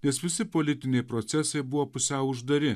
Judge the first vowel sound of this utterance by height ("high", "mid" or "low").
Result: mid